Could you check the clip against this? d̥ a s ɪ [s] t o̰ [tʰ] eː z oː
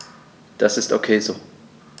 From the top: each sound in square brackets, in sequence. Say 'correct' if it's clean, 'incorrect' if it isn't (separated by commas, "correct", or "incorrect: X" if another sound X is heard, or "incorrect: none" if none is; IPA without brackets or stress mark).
correct, incorrect: kʰ